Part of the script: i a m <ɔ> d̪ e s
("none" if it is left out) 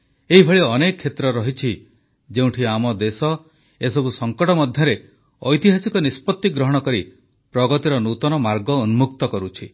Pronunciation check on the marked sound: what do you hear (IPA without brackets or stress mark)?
ɔ